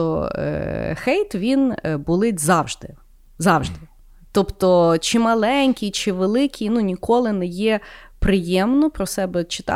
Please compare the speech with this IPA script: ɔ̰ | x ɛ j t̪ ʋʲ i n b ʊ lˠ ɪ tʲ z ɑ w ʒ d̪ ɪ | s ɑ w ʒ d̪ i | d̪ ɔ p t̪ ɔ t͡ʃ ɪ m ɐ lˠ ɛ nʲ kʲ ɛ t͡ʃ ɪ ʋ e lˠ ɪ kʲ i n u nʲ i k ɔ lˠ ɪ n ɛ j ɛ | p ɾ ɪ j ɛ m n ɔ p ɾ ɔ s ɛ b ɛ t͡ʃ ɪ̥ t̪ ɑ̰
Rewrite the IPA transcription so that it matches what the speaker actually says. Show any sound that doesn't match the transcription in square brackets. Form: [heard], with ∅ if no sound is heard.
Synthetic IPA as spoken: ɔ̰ | x ɛ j t̪ ʋʲ i n b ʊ lˠ ɪ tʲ z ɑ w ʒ d̪ ɪ | [z] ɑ w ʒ d̪ [ɪ] | [t̪] ɔ p t̪ ɔ t͡ʃ ɪ m ɐ lˠ ɛ nʲ kʲ [i] t͡ʃ ɪ ʋ e lˠ ɪ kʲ i n u nʲ i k ɔ lˠ ɪ n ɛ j ɛ | p ɾ ɪ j ɛ m n ɔ p ɾ ɔ s ɛ b ɛ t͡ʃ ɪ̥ t̪ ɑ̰